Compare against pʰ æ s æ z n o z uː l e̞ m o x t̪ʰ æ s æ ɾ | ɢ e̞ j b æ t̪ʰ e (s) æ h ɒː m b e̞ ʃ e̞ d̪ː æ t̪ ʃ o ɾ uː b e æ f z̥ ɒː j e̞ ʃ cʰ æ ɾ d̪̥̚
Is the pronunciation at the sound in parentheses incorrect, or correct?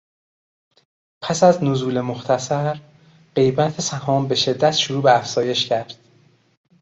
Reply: correct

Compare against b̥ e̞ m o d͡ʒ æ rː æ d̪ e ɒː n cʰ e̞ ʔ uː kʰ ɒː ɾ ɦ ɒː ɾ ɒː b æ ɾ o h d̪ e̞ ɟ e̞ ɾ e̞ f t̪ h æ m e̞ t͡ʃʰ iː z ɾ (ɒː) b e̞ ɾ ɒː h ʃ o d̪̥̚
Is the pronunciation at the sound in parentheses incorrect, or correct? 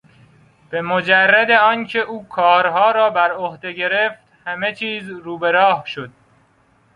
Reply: incorrect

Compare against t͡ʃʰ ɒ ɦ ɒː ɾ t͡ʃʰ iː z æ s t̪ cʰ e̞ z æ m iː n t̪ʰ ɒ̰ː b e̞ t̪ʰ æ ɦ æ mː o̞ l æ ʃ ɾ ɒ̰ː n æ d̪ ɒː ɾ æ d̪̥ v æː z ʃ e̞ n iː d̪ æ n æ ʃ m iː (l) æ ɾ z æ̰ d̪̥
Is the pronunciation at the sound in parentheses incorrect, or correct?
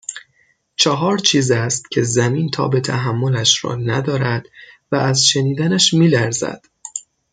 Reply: correct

